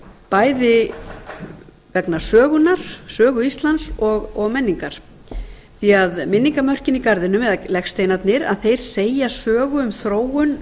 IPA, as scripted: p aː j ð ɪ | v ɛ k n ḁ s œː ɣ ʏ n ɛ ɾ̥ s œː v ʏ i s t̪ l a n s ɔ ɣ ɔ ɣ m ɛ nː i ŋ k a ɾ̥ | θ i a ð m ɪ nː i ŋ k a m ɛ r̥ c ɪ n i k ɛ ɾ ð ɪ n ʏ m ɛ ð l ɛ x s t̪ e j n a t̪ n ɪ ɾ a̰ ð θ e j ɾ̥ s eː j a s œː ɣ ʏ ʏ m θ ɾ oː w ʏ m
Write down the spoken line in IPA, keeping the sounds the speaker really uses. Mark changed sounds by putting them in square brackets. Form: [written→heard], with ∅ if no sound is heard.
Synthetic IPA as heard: p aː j ð ɪ | v ɛ k n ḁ s œː ɣ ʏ n [ɛ→a] ɾ̥ s œː [v→ɣ] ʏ i s t̪ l a n s ɔ ɣ ɔ ɣ m ɛ nː i ŋ k a ɾ̥ | θ i a ð m ɪ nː i ŋ k a m [ɛ→œ] r̥ c ɪ n i k [ɛ→a] ɾ ð ɪ n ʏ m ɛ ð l ɛ x s t̪ e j n a t̪ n ɪ ɾ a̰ ð θ e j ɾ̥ s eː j a s œː ɣ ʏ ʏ m θ ɾ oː w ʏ [m→n]